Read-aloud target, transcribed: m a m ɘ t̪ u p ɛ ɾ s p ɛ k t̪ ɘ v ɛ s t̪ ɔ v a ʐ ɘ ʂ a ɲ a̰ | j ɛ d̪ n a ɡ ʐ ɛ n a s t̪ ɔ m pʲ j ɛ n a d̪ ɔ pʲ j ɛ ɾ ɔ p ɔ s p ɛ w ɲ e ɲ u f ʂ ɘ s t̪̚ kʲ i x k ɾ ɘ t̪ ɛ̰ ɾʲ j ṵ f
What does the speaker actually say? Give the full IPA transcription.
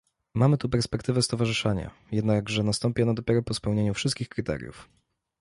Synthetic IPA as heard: m a m ɘ t̪ u p ɛ ɾ s p ɛ k t̪ ɘ v ɛ s t̪ ɔ v a ʐ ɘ ʂ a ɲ a̰ | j ɛ d̪ n a ɡ ʐ ɛ n a s t̪ ɔ m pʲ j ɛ n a d̪ ɔ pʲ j ɛ ɾ ɔ p ɔ s p ɛ w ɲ e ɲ u f ʂ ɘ s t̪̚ kʲ i x k ɾ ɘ t̪ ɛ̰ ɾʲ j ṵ f